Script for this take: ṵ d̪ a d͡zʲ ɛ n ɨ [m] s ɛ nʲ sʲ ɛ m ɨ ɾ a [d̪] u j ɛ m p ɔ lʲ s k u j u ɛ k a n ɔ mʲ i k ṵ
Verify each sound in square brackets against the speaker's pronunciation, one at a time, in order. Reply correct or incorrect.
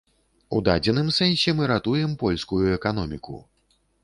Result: correct, incorrect

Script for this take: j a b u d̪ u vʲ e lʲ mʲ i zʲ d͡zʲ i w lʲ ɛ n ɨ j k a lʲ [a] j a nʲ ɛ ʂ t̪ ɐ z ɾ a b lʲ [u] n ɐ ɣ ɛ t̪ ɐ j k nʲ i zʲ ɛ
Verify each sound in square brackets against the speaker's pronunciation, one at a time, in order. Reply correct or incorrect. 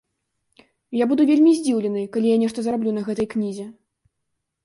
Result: incorrect, correct

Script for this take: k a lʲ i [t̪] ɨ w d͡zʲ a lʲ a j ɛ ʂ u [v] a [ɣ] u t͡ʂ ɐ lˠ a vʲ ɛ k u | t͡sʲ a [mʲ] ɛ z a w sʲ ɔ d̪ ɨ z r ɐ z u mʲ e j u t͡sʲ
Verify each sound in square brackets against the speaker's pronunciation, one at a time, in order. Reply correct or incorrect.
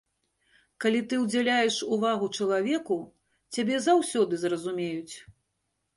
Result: correct, correct, correct, incorrect

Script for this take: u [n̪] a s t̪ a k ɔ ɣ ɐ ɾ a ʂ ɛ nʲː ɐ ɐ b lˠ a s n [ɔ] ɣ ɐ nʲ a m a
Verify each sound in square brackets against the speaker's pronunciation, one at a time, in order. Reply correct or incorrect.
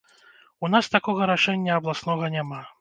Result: correct, correct

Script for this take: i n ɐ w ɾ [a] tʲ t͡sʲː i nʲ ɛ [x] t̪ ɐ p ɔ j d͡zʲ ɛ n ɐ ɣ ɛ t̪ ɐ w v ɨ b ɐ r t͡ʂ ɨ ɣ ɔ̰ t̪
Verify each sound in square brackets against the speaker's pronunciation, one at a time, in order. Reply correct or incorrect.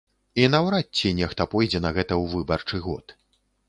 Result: correct, correct

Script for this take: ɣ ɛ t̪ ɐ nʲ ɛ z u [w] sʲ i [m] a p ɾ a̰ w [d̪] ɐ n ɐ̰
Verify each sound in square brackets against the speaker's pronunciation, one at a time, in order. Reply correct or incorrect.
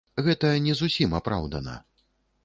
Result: incorrect, correct, correct

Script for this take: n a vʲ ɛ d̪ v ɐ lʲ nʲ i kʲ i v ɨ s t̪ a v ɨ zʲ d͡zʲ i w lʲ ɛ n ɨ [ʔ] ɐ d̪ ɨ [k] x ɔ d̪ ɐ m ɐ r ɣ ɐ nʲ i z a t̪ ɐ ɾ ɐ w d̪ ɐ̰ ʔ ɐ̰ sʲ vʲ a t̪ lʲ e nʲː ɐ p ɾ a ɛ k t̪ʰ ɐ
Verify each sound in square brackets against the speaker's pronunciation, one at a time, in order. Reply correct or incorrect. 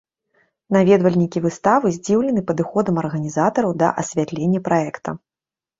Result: incorrect, incorrect

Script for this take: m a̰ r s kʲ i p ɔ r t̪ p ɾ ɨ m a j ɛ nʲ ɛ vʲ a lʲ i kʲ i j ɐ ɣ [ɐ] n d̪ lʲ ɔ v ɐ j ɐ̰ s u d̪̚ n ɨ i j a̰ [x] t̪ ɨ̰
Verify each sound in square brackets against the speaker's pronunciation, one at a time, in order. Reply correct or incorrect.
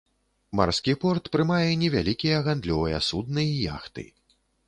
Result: incorrect, correct

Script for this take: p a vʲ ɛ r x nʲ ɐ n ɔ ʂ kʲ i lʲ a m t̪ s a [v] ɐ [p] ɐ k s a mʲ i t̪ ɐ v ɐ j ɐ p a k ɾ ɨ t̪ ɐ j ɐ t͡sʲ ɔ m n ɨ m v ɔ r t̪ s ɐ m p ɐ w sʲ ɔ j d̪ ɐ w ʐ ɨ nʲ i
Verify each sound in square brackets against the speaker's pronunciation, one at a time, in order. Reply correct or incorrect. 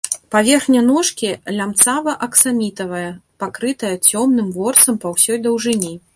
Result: correct, incorrect

